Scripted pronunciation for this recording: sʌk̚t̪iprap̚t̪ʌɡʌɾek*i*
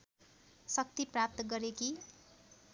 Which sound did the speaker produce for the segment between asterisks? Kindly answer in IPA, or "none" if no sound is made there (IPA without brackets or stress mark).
i